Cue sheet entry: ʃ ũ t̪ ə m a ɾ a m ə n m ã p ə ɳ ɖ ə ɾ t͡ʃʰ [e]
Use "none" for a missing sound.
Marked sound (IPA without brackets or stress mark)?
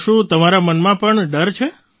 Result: e